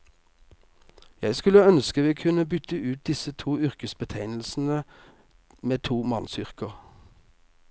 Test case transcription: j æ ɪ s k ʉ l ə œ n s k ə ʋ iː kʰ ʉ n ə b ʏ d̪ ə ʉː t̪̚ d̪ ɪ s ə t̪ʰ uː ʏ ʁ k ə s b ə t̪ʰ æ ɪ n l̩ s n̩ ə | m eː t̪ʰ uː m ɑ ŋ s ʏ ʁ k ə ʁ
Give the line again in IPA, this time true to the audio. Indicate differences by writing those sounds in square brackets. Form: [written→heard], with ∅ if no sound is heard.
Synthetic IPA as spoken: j æ ɪ s k ʉ l ə œ n s k ə ʋ iː kʰ ʉ n ə b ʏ [d̪→t̪] ə ʉː t̪̚ d̪ ɪ s ə t̪ʰ uː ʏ ʁ k ə s b ə t̪ʰ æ ɪ n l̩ s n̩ ə | m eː t̪ʰ uː m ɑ [ŋ→n] s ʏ ʁ k ə ʁ